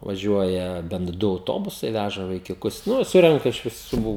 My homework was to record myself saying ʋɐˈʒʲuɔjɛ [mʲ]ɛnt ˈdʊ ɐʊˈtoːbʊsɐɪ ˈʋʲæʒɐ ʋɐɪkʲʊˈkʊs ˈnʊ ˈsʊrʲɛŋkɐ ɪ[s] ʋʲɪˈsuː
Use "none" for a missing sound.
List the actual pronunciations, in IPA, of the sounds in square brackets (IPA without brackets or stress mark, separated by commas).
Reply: bʲ, ʃ